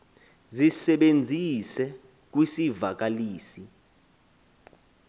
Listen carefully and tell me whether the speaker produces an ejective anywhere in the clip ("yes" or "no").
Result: no